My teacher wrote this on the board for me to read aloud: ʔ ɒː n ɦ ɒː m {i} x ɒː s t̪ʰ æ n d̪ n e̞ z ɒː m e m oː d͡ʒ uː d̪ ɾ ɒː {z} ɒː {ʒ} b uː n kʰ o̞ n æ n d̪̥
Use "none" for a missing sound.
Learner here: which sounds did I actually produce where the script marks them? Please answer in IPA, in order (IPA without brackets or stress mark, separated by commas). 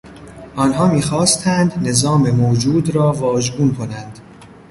iː, v, ʒ